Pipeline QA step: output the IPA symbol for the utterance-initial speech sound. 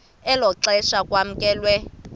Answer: ɛ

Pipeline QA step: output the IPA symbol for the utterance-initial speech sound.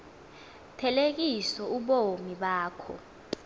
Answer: tʰ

